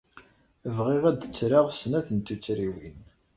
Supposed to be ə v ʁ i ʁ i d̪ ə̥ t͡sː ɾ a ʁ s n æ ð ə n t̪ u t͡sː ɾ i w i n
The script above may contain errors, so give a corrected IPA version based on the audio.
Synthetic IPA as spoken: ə v ʁ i ʁ æ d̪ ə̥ t͡sː ɾ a ʁ s n æ θ ə n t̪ u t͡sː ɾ i w i n